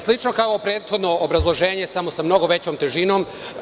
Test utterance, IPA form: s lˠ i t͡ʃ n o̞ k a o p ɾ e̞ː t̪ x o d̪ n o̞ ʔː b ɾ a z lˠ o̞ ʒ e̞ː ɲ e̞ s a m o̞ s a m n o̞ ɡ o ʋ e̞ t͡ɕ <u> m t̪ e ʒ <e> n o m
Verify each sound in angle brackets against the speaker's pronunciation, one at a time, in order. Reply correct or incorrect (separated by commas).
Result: incorrect, incorrect